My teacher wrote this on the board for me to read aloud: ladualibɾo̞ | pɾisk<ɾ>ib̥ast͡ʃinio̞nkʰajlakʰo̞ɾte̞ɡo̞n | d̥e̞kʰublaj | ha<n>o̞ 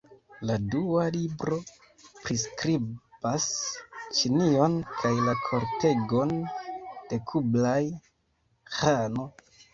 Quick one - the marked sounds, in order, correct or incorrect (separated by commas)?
correct, correct